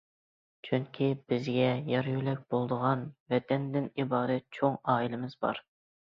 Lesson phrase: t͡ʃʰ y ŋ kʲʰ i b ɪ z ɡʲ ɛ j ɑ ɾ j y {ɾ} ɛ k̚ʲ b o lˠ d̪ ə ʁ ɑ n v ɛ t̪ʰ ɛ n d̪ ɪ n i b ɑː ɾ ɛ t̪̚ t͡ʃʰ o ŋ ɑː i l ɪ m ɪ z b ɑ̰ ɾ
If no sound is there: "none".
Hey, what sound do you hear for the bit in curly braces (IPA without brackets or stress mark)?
l